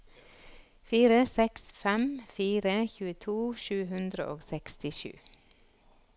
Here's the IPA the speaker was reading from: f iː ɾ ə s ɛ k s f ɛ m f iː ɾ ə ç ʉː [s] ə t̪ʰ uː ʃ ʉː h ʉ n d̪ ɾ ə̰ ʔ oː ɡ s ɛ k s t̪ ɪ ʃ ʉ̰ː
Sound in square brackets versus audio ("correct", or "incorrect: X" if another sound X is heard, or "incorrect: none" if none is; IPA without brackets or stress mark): incorrect: none